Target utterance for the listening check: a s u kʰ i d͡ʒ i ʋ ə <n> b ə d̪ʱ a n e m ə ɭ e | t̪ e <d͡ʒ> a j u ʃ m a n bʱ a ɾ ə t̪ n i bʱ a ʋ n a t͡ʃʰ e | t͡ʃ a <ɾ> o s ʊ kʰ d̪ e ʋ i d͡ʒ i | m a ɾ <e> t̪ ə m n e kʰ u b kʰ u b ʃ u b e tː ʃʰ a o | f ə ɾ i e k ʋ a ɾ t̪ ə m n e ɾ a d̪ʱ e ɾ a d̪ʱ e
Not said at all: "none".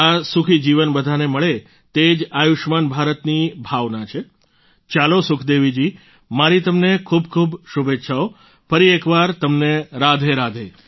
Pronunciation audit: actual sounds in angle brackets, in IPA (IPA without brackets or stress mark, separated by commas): n, d͡ʒ, l, i